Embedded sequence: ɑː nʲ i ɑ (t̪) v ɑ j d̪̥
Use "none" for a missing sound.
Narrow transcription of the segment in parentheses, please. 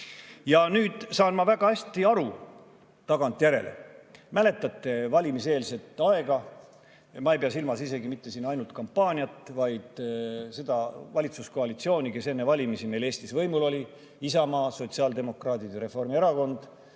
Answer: t̪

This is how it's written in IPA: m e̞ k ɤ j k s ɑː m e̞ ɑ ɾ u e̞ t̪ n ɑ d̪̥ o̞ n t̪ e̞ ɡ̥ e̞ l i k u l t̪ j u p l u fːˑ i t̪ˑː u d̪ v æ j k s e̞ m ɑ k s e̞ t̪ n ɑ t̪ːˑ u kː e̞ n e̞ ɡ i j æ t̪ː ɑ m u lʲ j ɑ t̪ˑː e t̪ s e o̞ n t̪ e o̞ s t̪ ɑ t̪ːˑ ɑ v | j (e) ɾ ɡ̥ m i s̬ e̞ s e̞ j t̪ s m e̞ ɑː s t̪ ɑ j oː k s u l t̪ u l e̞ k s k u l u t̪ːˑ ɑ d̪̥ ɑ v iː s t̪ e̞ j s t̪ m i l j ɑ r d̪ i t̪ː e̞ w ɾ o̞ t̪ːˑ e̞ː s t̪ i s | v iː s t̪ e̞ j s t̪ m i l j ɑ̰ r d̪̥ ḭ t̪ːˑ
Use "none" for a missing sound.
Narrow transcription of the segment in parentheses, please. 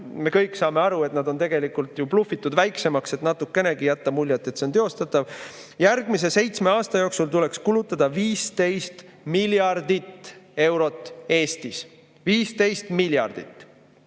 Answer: æ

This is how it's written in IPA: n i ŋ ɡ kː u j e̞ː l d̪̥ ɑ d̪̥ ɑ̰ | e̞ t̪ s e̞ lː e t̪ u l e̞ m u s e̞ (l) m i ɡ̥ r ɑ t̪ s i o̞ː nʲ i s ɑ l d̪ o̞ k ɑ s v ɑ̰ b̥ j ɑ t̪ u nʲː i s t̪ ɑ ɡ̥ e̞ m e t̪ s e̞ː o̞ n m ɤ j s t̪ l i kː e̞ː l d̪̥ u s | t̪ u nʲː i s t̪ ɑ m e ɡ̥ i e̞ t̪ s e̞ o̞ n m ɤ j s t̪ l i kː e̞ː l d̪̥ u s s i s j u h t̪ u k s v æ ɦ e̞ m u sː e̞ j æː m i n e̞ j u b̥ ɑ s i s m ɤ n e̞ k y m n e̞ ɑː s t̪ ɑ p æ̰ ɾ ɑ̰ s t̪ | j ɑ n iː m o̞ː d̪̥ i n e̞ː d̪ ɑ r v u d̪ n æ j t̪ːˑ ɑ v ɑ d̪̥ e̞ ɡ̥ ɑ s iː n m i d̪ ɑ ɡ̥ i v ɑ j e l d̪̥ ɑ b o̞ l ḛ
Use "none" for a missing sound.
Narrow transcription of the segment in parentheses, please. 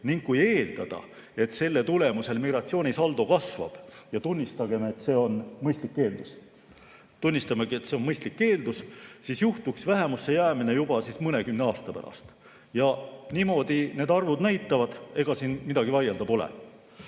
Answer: l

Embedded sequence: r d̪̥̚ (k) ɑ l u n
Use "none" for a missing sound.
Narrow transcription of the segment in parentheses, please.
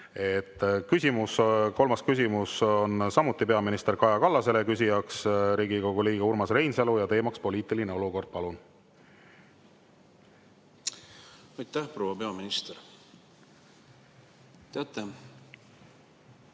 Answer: p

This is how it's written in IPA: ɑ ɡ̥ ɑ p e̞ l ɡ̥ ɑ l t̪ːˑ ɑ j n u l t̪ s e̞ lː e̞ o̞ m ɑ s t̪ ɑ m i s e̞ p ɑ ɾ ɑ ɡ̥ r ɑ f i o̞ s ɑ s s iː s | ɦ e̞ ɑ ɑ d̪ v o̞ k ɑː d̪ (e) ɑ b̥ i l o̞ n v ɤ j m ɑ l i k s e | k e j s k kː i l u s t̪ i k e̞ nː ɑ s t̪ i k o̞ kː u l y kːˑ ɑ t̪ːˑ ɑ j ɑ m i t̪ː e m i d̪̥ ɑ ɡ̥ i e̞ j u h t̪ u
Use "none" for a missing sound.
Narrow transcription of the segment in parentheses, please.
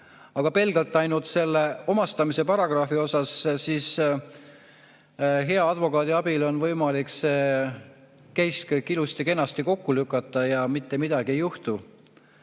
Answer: i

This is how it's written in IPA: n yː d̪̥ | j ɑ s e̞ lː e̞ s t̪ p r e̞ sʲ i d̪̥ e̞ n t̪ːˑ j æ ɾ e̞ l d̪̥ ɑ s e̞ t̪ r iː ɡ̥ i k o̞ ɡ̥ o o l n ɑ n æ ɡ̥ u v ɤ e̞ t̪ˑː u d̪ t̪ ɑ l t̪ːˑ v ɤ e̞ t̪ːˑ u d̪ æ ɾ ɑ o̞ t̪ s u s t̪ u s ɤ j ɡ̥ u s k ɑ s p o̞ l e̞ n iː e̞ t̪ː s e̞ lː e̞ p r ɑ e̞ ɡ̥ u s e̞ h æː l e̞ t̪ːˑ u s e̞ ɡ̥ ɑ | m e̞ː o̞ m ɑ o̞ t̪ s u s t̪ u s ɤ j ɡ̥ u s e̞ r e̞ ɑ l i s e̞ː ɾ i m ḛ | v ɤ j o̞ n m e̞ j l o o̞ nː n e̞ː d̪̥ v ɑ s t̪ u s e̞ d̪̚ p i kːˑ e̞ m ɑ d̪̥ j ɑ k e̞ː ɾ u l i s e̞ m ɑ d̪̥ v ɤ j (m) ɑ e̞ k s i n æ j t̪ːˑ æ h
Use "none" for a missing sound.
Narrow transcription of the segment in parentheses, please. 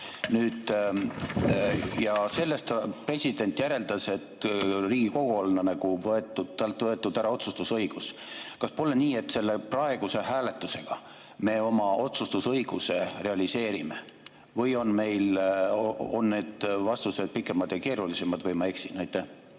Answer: m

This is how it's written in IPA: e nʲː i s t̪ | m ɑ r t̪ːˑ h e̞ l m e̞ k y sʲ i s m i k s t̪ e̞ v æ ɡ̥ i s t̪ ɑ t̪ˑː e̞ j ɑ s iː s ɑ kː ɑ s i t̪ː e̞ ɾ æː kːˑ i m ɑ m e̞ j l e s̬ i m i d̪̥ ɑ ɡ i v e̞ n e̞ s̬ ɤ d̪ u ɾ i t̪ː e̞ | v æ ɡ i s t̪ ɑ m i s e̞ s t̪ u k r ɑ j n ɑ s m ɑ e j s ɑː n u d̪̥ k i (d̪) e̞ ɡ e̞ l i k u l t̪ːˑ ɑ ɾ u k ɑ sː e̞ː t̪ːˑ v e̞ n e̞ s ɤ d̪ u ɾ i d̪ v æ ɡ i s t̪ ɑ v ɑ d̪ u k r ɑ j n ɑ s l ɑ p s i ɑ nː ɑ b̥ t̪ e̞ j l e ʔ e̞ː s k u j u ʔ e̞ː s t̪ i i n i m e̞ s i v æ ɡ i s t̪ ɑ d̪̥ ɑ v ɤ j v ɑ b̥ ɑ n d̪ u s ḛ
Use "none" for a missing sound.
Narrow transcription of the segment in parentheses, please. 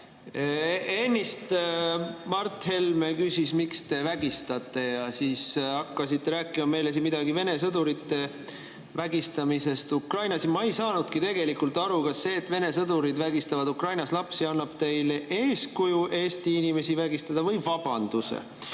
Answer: t̪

